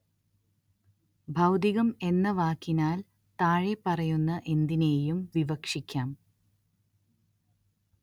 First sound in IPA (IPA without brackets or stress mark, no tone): bʱ